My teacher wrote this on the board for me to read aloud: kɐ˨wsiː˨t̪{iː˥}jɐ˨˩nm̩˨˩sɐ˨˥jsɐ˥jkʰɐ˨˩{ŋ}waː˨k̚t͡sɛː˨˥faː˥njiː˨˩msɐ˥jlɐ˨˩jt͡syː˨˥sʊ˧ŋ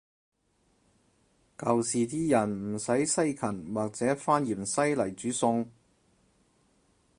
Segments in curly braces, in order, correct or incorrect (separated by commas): correct, incorrect